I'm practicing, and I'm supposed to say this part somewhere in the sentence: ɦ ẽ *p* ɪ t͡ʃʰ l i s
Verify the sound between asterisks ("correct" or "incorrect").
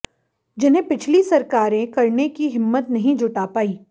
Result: correct